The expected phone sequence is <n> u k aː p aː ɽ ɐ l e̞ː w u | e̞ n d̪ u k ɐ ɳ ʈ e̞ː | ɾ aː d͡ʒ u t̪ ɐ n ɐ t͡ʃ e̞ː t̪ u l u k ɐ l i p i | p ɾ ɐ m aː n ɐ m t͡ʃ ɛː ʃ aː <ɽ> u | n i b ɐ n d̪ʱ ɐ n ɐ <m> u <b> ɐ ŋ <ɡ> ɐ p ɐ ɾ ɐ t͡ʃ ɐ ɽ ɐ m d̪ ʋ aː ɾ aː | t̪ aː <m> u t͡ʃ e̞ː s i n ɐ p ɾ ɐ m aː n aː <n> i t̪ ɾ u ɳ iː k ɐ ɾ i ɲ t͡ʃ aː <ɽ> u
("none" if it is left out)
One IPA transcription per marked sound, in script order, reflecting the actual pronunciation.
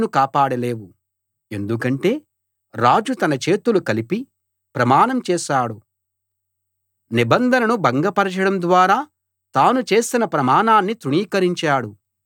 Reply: n, ɽ, n, b, ɡ, n, nː, ɽ

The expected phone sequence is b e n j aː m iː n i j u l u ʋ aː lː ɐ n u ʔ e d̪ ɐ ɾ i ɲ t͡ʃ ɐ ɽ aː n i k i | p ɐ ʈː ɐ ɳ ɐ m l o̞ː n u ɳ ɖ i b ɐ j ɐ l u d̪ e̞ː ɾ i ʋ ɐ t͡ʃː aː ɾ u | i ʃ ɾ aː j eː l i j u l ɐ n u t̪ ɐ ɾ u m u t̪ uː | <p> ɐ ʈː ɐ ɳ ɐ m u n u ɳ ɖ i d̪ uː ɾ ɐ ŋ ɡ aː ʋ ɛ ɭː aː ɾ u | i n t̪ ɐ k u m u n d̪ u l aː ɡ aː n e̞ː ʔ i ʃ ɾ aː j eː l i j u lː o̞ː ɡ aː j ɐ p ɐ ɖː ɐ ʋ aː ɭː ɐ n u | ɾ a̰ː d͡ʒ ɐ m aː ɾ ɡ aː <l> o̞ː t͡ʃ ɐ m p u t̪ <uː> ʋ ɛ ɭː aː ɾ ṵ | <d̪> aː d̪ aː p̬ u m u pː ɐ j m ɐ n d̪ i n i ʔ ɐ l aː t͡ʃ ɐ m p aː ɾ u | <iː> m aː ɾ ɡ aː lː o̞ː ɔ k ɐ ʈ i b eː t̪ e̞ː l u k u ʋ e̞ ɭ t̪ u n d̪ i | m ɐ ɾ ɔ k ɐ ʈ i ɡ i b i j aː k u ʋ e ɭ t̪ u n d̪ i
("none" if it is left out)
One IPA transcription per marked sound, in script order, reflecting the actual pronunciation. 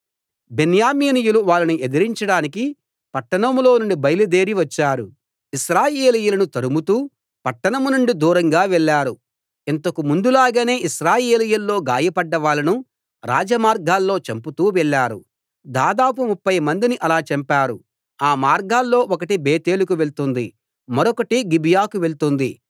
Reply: p, lː, uː, d̪, aː

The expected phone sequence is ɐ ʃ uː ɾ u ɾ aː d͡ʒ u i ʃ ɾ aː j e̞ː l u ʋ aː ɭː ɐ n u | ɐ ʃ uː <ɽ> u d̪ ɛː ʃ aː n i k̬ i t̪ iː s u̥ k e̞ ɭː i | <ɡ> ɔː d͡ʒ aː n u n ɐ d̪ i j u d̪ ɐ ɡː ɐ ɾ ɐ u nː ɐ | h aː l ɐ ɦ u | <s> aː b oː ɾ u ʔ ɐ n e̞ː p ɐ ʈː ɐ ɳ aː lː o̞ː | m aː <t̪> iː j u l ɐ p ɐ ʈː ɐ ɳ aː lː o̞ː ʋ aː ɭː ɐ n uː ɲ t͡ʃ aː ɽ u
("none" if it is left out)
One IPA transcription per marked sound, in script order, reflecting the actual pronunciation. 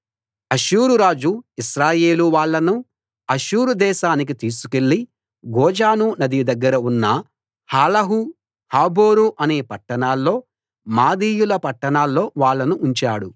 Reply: ɾ, ɡ, h, d̪

